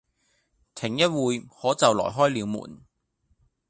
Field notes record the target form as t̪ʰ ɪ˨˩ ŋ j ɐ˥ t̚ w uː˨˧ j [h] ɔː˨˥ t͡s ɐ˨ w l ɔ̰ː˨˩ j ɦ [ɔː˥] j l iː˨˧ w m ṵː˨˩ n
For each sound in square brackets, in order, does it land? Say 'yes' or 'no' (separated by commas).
yes, yes